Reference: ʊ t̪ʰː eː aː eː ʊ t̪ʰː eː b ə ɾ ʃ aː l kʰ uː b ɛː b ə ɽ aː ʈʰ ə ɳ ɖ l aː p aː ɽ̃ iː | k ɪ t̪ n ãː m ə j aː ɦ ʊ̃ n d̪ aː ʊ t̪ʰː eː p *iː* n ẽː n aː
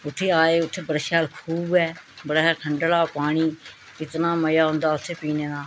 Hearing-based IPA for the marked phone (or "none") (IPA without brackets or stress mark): iː